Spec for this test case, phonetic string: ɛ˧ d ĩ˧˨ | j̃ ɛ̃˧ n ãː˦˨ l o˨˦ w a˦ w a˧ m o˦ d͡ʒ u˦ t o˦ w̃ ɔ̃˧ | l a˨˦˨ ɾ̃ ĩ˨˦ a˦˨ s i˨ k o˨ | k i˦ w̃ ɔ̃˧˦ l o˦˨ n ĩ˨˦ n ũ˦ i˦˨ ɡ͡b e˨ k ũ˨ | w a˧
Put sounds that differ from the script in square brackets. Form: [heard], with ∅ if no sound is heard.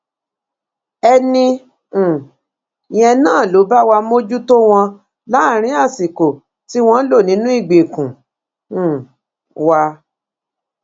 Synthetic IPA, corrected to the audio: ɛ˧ [n] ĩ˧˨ | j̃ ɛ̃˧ n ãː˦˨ l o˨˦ [b] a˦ w a˧ m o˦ d͡ʒ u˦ t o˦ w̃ ɔ̃˧ | l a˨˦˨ ɾ̃ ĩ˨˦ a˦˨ s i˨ k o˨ | [t] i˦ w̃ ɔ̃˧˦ l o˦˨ n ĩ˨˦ n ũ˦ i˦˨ ɡ͡b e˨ k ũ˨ | w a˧